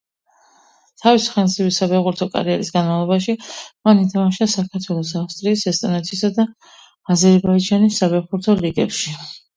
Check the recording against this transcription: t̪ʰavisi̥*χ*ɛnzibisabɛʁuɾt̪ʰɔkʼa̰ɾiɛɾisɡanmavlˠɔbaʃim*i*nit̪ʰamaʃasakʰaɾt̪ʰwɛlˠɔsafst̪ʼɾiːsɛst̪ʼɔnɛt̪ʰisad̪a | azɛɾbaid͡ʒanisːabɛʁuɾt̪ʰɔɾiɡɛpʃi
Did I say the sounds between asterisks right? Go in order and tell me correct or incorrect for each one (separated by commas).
correct, incorrect